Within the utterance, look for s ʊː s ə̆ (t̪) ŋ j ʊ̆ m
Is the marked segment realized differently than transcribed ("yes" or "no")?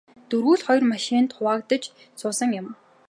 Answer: yes